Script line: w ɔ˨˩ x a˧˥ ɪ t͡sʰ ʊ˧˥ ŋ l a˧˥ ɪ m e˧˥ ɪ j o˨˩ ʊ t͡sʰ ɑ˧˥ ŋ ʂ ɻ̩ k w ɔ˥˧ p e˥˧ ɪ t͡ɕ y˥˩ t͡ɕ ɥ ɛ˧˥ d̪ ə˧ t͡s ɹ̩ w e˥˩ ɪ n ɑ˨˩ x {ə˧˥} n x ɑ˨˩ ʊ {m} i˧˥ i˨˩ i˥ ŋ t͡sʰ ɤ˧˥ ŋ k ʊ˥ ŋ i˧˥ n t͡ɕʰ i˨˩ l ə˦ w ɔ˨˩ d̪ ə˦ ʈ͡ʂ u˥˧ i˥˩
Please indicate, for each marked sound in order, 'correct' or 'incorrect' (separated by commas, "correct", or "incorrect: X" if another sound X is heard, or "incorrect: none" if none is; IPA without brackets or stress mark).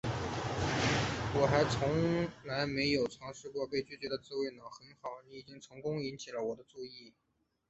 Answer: correct, incorrect: n